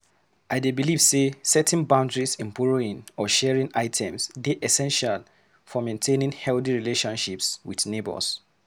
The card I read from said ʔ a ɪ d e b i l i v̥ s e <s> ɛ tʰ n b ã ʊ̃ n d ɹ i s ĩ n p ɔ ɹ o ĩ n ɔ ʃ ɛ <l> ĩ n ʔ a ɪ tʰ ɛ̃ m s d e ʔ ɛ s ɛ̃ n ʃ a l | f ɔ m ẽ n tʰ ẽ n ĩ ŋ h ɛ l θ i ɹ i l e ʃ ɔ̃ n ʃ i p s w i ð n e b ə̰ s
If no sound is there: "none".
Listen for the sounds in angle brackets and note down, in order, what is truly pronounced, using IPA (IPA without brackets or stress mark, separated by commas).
s, ɹ